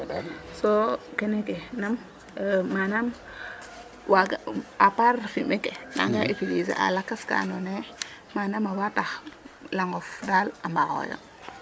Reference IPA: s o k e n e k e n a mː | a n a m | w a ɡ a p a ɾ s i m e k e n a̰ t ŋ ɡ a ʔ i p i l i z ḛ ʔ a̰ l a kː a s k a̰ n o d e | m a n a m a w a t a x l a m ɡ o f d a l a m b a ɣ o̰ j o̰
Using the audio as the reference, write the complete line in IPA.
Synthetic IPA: s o k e n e k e n a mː | a n a m | w a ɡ a p a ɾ f i m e k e n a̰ ŋ ɡ a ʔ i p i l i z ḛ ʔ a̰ l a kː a s k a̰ n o n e | m a n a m a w a t a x l a ŋ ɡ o f d a l a m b a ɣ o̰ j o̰